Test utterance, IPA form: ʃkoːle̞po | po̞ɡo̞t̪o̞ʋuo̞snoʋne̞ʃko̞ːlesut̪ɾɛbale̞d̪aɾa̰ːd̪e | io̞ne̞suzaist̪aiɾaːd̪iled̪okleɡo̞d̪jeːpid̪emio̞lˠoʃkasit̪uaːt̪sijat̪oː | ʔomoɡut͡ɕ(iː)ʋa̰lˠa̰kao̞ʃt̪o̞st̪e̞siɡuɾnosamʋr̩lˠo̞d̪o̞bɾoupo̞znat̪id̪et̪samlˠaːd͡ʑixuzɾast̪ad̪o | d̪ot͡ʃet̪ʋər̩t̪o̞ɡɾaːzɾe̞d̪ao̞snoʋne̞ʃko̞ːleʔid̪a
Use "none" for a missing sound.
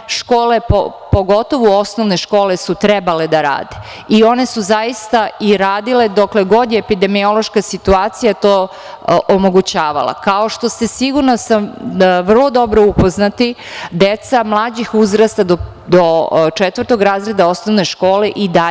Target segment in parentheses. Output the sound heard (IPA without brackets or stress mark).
aː